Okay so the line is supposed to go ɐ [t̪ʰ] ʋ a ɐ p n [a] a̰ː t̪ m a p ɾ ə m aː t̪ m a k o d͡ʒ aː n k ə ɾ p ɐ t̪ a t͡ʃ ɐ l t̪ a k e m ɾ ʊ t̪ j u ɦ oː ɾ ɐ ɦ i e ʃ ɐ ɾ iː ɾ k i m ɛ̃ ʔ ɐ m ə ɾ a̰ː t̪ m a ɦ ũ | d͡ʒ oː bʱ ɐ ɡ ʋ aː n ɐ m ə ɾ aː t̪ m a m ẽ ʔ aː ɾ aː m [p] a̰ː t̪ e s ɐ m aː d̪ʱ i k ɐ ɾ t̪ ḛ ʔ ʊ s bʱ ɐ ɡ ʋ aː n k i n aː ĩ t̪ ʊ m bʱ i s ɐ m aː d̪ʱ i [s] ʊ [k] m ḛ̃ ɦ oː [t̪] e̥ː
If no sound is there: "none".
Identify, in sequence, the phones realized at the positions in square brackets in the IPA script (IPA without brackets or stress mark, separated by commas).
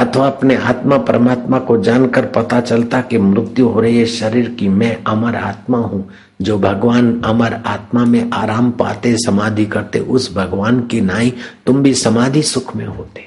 t̪ʰ, e, p, s, kʰ, t̪